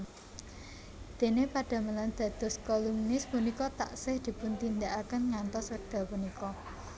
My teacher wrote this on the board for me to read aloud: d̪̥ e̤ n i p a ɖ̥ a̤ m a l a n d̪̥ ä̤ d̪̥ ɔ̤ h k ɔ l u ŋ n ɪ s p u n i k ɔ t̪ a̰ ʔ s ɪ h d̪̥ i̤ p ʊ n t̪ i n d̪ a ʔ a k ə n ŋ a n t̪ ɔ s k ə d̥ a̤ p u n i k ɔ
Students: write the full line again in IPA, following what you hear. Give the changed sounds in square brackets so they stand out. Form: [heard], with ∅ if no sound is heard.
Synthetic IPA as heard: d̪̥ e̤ n [e] p a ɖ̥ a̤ m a l a n d̪̥ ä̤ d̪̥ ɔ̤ [s] k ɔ l u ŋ n ɪ s p u n i k ɔ t̪ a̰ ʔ s ɪ h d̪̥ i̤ p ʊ n t̪ i n d̪ a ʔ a k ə n ŋ a n t̪ ɔ s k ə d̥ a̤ p u n i k ɔ